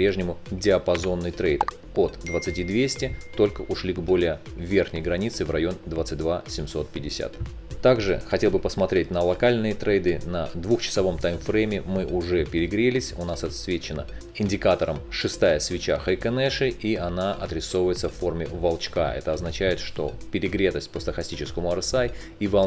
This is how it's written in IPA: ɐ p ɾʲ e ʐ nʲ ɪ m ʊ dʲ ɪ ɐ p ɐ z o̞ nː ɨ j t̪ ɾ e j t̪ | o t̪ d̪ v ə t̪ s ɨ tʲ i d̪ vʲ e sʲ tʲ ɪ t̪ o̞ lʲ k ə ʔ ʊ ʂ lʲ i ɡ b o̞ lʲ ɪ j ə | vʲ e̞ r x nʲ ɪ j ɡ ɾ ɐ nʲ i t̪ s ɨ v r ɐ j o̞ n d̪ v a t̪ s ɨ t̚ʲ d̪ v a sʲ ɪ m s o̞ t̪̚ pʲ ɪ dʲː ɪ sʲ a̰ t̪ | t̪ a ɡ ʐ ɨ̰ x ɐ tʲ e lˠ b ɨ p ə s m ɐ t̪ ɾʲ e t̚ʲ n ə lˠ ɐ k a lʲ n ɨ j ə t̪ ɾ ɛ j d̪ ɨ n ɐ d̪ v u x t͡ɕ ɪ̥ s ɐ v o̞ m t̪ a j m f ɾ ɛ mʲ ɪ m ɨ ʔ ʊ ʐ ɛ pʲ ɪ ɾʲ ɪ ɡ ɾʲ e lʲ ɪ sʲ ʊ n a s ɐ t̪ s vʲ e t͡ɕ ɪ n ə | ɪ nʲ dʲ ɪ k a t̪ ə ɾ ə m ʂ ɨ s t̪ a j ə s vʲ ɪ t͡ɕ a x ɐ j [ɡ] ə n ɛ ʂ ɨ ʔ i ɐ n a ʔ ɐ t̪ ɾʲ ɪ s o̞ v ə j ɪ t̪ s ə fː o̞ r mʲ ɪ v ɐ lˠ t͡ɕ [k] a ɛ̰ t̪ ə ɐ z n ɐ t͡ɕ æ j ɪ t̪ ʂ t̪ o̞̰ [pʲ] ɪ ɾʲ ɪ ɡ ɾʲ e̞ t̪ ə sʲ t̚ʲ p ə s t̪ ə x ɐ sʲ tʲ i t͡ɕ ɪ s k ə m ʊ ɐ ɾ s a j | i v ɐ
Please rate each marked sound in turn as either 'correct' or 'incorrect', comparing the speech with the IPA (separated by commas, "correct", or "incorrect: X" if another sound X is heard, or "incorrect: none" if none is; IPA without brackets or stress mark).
incorrect: k, correct, correct